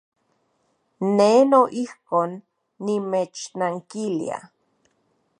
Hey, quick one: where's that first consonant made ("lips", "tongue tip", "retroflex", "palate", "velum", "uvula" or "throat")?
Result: tongue tip